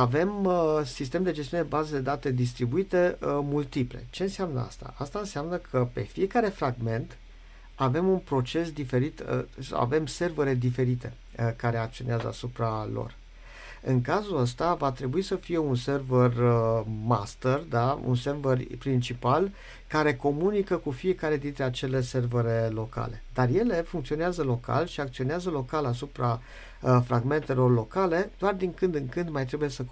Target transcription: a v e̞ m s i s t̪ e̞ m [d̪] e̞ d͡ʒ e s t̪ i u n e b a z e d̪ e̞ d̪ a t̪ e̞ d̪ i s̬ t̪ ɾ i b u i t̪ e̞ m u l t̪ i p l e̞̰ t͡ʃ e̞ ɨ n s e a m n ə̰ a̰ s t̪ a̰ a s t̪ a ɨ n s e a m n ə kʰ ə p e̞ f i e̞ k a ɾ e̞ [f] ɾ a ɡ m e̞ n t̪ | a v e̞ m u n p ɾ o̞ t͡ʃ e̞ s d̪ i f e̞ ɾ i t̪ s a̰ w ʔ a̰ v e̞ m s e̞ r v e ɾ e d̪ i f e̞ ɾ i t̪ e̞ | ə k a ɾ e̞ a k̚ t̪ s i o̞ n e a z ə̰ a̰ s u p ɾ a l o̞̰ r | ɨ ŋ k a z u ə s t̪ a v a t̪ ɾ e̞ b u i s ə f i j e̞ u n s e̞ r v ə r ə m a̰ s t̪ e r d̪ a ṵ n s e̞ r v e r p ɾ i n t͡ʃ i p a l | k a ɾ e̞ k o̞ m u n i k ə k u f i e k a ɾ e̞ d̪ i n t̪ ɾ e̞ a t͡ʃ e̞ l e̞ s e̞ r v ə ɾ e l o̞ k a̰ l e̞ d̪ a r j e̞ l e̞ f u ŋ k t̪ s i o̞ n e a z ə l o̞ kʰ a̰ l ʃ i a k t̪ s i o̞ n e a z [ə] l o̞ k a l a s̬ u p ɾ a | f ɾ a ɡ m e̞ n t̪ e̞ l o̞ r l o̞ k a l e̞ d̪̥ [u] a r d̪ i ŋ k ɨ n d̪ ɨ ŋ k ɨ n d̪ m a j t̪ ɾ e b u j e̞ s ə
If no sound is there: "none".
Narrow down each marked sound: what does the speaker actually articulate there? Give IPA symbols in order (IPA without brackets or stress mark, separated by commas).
d̪, f, ə, o